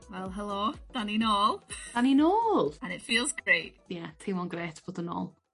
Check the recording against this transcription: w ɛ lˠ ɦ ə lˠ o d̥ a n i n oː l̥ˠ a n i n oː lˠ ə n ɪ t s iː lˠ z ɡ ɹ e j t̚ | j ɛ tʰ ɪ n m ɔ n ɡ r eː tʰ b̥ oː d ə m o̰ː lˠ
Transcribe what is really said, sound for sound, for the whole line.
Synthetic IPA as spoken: w ɛ lˠ ɦ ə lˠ o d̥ a n i n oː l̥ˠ a n i n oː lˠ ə n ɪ t f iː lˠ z ɡ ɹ e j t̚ | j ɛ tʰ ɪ m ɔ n ɡ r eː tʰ b̥ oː d ə n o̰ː lˠ